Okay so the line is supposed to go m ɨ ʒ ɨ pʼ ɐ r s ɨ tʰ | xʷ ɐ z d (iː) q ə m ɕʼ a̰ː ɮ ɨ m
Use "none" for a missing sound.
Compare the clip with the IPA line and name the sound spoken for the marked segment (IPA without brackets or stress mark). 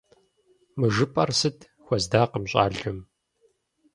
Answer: aː